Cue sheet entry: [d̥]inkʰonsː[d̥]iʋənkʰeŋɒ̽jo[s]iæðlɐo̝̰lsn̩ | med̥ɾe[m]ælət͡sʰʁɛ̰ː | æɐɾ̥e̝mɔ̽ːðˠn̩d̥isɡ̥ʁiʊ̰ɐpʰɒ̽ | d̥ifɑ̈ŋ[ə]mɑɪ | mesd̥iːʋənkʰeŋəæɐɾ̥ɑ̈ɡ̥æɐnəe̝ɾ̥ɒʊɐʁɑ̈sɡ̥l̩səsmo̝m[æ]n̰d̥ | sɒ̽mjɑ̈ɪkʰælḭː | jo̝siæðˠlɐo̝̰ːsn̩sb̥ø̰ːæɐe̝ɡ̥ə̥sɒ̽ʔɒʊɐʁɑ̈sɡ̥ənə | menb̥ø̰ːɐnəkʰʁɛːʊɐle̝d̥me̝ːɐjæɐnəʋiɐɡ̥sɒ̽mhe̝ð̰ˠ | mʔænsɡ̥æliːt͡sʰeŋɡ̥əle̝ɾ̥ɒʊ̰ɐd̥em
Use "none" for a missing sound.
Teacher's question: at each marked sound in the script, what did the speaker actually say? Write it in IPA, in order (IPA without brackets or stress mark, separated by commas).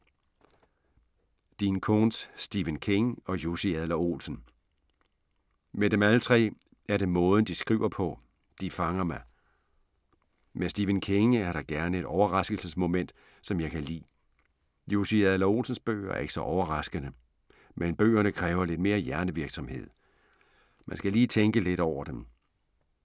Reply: d̥, d̥, s, m, ɐ, e